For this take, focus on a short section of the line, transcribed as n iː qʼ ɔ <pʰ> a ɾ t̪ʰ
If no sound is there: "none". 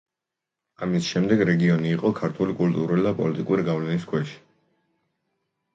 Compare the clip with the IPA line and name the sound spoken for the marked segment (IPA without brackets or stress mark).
kʰ